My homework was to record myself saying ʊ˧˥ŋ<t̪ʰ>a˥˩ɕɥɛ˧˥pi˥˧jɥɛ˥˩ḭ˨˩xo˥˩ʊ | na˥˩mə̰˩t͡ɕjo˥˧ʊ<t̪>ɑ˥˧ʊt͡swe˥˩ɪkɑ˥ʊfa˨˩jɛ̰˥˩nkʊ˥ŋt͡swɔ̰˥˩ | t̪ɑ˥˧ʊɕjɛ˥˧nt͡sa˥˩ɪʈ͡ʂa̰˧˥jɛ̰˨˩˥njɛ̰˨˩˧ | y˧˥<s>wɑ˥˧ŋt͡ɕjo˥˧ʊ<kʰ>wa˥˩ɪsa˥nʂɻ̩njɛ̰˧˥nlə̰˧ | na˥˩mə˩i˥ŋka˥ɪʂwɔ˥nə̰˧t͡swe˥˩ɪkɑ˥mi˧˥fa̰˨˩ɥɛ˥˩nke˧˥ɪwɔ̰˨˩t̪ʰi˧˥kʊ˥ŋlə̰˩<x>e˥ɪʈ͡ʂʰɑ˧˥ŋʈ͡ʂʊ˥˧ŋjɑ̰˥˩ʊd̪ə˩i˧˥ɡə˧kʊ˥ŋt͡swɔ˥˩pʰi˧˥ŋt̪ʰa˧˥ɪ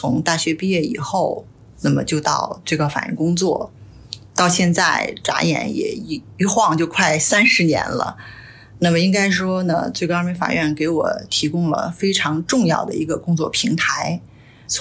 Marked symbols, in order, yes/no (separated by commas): no, yes, no, yes, no